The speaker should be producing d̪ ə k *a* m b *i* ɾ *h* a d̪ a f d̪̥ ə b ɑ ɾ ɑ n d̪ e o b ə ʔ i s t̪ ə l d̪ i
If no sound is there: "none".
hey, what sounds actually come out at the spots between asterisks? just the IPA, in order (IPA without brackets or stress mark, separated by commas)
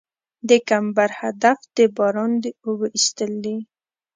a, a, h